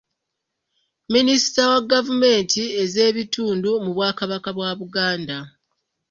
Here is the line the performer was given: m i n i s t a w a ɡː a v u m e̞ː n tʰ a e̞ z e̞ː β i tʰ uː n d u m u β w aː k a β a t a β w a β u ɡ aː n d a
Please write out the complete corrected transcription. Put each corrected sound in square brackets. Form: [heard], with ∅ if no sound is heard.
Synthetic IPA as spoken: m i n i s t a w a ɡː a v u m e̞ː n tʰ [i] e̞ z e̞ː β i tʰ uː n d u m u β w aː k a β a [k] a β w a β u ɡ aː n d a

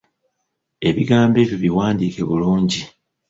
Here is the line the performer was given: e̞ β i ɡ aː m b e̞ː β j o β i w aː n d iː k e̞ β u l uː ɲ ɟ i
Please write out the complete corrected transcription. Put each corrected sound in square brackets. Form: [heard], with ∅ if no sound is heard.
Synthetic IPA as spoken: e̞ β i ɡ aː m b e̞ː β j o β i w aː n d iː k e̞ β u l uː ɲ ɟ i

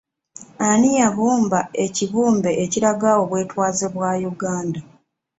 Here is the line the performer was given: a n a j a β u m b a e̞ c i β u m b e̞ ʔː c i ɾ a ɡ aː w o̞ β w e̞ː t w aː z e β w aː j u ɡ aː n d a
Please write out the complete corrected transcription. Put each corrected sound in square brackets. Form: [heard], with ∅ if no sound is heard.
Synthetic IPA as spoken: a n [i] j a β [uː] m b a e̞ c i β [uː] m b e̞ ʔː c i ɾ a ɡ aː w o̞ β w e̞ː t w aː z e β w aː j u ɡ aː n d a

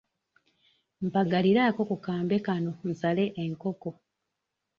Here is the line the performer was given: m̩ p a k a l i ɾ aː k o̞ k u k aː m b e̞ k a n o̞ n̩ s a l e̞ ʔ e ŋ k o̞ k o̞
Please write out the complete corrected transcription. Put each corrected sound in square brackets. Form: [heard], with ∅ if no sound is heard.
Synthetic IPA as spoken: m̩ p a [ɡ] a l i ɾ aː k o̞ k u k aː m b e̞ k a n o̞ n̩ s a l e̞ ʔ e ŋ k o̞ k o̞

